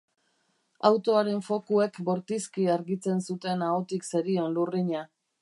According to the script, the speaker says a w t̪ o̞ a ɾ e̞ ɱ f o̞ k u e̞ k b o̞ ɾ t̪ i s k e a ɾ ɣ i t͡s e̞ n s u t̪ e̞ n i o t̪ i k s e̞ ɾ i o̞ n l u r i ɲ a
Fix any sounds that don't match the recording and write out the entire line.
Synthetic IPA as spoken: a w t̪ o̞ a ɾ e̞ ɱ f o̞ k u e̞ k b o̞ ɾ t̪ i s k i a ɾ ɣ i t͡s e̞ n s u t̪ e̞ n a o t̪ i k s e̞ ɾ i o̞ n l u r i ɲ a